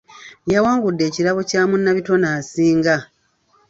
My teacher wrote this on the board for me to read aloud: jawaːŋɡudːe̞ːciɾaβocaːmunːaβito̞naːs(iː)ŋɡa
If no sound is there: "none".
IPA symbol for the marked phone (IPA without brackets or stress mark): iː